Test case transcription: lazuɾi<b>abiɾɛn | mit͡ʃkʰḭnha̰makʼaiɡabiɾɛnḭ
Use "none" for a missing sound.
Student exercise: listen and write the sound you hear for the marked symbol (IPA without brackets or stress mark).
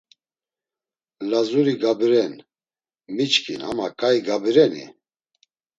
ɡ